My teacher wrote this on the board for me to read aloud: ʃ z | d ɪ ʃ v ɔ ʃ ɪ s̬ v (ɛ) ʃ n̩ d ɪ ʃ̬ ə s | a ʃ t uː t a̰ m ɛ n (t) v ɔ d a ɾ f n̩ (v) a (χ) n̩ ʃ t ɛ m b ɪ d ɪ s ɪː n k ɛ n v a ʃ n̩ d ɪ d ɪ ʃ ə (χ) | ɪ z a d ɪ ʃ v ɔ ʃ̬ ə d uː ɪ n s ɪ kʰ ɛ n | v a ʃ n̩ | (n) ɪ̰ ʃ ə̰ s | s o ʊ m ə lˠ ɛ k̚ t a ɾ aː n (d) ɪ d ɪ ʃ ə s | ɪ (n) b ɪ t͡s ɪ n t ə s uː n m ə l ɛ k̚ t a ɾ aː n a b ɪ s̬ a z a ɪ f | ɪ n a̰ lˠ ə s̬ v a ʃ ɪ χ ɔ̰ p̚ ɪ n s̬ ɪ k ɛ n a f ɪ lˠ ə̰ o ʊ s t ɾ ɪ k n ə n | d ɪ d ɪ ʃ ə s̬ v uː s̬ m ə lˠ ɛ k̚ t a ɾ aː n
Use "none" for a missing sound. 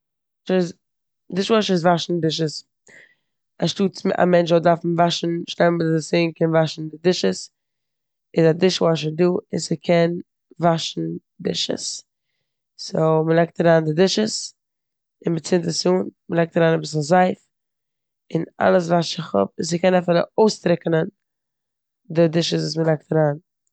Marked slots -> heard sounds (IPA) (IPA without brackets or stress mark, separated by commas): a, t͡ʃ, v, ʃ, s, d, d, n